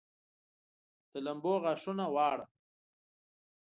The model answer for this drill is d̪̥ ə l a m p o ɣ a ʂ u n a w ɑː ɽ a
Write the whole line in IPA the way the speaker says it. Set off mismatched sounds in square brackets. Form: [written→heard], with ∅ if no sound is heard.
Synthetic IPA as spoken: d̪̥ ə l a m [p→b] o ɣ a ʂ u n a w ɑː ɽ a